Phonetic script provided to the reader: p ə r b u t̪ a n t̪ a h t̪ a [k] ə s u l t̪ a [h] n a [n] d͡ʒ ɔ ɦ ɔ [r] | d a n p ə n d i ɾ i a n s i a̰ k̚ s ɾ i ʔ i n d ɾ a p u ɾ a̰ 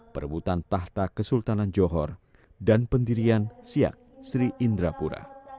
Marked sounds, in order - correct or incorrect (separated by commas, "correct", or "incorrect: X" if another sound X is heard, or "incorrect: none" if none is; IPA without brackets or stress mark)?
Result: correct, incorrect: none, correct, correct